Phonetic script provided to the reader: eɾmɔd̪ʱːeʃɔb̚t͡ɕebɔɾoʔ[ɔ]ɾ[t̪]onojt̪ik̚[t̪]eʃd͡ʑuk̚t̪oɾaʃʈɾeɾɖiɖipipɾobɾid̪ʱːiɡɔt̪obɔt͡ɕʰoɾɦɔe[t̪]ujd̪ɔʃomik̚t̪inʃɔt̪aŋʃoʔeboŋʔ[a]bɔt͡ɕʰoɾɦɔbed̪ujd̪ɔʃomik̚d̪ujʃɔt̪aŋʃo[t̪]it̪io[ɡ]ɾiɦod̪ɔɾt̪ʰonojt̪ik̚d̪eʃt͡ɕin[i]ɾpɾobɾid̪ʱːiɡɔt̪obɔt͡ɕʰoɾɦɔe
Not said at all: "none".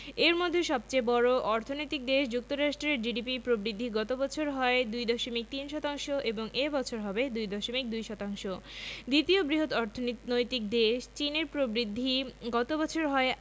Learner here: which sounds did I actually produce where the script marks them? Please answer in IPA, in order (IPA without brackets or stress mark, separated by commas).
ɔ, t̪ʰ, d̪, d̪, e, d̪, b, e